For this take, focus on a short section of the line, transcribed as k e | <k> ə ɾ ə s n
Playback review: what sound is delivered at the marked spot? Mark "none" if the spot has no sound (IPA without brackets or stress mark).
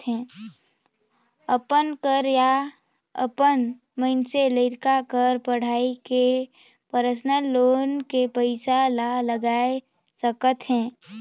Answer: p